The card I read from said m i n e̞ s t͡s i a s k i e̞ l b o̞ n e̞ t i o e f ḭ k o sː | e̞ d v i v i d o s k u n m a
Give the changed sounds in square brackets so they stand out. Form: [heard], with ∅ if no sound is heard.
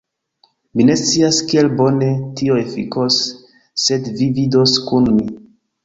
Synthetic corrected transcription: m i n e̞ s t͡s i a s k i e̞ l b o̞ n e̞ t i o e f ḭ k o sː | e̞ d v i v i d o s k u n m [i]

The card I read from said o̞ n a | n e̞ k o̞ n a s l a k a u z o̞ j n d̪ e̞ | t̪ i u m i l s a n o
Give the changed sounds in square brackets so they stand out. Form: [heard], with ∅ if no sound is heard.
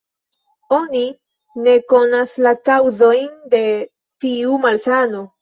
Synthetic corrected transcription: o̞ n [i] | n e̞ k o̞ n a s l a k a [w] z o̞ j n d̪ e̞ | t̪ i u m [a] l s a n o

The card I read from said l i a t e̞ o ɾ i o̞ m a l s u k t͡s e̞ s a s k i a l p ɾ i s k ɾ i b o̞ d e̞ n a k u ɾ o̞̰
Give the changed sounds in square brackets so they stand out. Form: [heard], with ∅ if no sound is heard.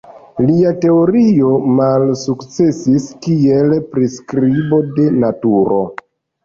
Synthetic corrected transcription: l i a t e̞ o ɾ i o̞ m a l s u k t͡s e̞ s [i] s k i [e] l p ɾ i s k ɾ i b o̞ d e̞ n a [t] u ɾ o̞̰

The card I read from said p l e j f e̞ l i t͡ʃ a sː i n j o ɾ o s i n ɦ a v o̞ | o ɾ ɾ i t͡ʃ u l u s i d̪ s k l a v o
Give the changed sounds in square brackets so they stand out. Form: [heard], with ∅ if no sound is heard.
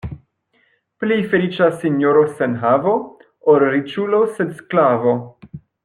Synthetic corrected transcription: p l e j f e̞ l i t͡ʃ a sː i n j o ɾ o s [e] n ɦ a v o̞ | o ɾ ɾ i t͡ʃ u l [o] s [e] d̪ s k l a v o

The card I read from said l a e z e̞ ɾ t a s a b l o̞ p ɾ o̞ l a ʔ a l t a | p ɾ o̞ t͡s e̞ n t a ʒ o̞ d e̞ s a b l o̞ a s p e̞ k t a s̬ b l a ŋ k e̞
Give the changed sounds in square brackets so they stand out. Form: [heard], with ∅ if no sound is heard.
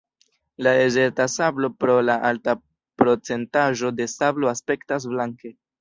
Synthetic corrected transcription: l a e z e̞ ɾ t a s a b l o̞ p ɾ o̞ l a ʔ a l t a | p ɾ o̞ t͡s e̞ n t a ʒ o̞ d e̞ s a b l o̞ a s p e̞ k t a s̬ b l a ŋ k e̞

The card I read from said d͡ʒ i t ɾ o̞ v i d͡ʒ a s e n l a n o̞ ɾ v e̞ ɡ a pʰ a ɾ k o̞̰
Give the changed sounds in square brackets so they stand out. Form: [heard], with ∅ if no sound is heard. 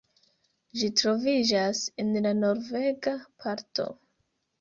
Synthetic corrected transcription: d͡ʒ i t ɾ o̞ v i d͡ʒ a s e n l a n o̞ ɾ v e̞ ɡ a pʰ a ɾ [t] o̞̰

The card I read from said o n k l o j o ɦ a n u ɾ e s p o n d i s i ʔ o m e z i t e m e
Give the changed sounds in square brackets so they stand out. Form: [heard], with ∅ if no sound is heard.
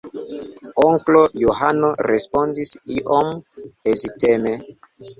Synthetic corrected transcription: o [ŋ] k l o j o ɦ a n [o] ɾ e s p o n d i s i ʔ o m e z i t e m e

